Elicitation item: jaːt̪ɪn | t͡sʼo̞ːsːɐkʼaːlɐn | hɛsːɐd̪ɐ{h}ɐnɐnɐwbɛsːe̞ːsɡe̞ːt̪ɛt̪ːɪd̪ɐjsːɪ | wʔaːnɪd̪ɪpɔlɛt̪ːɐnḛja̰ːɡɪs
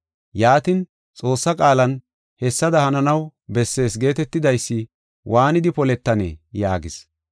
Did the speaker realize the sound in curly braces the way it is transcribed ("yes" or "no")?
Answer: yes